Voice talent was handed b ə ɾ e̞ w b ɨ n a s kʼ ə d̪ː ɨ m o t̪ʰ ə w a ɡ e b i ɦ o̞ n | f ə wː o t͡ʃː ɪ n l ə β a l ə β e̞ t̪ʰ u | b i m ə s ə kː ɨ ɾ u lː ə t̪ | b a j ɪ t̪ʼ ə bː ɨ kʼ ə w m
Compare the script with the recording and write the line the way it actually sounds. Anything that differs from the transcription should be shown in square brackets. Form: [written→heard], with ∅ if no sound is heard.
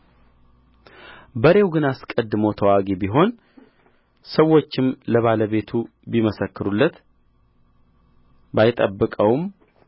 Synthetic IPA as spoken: b ə ɾ e̞ w [b→ɡ] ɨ n a s kʼ ə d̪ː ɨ m o t̪ʰ ə w a ɡ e b i ɦ o̞ n | [f→s] ə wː o t͡ʃː ɪ [n→m] l ə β a l ə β e̞ t̪ʰ u | b i m ə s ə kː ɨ ɾ u lː ə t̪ | b a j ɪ t̪ʼ ə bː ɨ kʼ ə w m